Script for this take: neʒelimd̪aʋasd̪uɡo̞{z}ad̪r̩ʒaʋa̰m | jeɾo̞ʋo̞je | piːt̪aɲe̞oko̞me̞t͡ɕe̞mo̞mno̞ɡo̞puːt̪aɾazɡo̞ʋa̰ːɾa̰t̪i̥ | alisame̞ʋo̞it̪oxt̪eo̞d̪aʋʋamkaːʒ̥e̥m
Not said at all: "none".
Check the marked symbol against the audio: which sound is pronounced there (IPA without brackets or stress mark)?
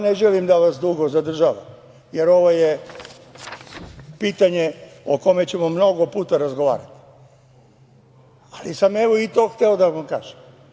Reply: z